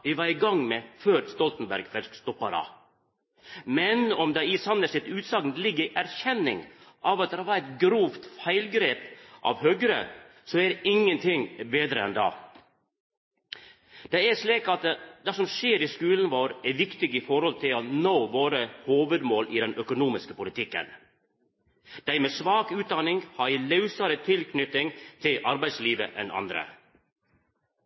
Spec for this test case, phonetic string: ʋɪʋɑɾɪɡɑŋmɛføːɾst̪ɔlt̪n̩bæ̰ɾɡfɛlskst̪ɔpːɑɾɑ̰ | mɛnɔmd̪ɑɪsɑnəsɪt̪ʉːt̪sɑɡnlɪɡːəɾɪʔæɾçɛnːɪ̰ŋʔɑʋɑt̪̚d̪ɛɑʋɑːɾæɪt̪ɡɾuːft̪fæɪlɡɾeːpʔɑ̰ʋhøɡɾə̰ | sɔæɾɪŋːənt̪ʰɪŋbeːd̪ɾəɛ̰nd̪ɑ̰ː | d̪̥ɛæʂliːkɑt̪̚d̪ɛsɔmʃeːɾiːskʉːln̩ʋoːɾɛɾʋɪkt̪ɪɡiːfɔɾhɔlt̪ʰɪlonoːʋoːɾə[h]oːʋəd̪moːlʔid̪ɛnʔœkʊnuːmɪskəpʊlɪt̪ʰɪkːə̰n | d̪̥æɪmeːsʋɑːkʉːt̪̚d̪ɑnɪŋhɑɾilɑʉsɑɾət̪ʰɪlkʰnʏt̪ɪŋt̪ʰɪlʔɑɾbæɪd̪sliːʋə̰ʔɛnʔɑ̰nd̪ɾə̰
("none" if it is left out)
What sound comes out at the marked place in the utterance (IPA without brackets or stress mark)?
h